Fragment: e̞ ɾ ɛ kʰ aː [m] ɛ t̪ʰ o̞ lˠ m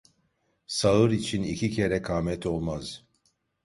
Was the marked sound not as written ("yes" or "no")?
no